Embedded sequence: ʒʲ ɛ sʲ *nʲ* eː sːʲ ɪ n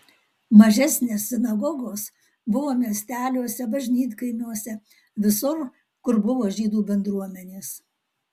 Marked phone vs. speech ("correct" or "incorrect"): correct